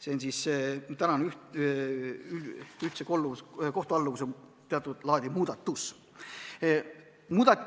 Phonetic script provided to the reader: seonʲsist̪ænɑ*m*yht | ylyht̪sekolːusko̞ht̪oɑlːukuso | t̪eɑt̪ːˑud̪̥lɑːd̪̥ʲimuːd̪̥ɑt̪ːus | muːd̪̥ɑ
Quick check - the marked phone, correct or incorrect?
incorrect